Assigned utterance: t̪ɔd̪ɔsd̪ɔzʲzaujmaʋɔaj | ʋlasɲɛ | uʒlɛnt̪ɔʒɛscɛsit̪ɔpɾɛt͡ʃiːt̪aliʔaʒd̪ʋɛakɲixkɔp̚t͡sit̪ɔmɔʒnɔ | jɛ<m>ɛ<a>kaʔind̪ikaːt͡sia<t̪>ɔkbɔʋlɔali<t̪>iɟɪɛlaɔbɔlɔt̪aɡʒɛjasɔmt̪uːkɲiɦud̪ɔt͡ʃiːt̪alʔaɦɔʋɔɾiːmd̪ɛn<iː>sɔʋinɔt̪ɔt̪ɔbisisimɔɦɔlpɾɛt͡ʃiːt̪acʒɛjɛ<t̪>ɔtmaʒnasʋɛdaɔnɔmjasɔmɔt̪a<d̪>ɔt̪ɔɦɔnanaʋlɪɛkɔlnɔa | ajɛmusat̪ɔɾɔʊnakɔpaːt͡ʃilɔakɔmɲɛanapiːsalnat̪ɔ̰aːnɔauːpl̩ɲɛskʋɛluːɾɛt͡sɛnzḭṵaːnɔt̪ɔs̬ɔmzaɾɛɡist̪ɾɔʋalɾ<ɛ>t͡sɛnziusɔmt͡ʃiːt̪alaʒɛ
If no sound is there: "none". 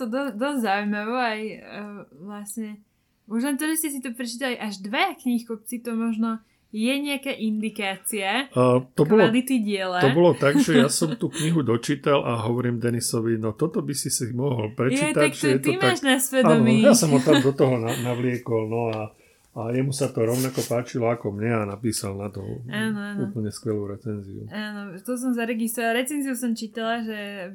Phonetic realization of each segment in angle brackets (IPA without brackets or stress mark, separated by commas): ɲ, a, t̪, t̪, i, t̪, d̪, ɛ